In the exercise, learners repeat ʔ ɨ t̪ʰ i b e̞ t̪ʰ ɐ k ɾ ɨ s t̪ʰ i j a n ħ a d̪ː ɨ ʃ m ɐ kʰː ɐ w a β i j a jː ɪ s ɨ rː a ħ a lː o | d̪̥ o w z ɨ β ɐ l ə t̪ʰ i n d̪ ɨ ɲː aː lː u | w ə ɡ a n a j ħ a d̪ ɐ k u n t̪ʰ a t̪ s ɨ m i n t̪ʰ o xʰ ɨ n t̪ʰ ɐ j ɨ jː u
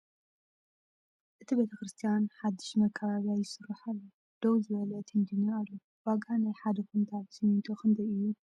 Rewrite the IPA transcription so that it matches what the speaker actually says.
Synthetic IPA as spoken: ʔ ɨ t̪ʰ i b e̞ t̪ʰ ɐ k ɾ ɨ s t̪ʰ i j a n ħ a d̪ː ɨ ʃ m ɐ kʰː ɐ β a β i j a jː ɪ s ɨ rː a ħ a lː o | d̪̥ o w z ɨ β ɐ l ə t̪ʰ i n d̪ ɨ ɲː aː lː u | w a ɡ a n a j ħ a d̪ ɐ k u n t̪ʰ a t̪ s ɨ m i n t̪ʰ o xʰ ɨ n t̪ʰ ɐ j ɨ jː u